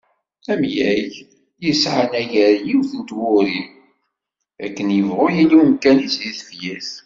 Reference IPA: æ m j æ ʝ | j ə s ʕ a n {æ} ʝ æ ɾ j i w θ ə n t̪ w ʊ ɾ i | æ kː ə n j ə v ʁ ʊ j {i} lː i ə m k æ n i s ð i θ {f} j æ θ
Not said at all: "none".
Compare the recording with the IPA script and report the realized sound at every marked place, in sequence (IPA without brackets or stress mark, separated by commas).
æ, i, f